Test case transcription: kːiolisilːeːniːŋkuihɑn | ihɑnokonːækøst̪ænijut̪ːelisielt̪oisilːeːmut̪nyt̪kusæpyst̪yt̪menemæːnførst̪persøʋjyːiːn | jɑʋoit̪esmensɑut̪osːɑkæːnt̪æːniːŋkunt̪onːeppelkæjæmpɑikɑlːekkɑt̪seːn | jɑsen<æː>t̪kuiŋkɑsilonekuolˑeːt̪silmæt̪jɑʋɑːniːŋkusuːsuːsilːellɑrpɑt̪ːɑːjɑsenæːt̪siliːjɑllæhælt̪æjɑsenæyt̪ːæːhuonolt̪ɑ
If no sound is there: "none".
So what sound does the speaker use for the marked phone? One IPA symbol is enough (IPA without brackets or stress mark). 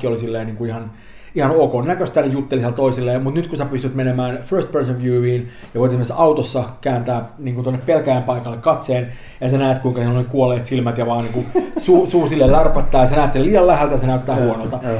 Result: æː